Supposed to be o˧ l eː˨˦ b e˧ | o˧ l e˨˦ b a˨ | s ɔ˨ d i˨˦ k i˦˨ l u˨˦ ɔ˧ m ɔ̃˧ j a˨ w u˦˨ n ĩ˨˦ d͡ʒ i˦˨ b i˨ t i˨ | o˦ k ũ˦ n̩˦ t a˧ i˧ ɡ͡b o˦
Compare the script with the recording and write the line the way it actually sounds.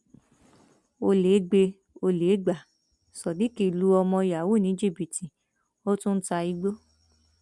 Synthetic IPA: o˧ l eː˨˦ ɡ͡b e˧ | o˧ l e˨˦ ɡ͡b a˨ | s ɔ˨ d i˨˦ k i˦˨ l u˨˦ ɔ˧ m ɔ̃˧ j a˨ w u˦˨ n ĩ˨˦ d͡ʒ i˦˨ b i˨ t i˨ | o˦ t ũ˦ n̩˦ t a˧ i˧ ɡ͡b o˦